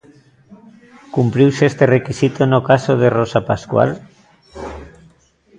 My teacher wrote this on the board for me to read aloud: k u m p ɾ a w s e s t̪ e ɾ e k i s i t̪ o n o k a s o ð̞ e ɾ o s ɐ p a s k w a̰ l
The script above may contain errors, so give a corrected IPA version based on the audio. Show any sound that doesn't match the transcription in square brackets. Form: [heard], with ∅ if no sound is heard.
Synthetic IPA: k u m p ɾ [i] w s e s t̪ e [r] e k i s i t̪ o n o k a s o ð̞ e [r] o s [a] p a s k w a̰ l